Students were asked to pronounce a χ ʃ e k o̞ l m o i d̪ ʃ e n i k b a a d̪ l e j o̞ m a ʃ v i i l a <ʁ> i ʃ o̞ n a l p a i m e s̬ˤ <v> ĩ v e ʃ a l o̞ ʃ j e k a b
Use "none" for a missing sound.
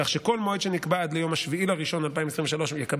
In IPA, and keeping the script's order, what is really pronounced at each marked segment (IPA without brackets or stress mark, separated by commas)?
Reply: ʁ, ʁ